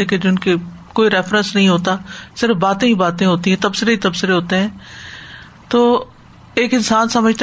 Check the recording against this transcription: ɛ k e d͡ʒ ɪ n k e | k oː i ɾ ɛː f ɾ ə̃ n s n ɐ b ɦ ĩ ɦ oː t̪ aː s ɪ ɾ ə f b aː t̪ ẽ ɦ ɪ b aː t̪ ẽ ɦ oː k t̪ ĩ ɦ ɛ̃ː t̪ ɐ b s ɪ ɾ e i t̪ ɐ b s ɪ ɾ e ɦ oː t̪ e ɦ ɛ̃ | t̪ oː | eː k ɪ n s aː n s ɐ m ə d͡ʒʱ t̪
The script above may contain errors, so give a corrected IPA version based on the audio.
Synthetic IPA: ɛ k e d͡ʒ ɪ n k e | k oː i ɾ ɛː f ɾ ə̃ n s n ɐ ɦ ĩ ɦ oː t̪ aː s ɪ ɾ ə f b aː t̪ ẽ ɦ i b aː t̪ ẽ ɦ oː t̪ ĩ ɦ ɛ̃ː t̪ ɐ b s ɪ ɾ e i t̪ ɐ b s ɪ ɾ e ɦ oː t̪ e ɦ ɛ̃ː | t̪ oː | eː k ɪ n s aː n s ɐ m ə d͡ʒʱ t̪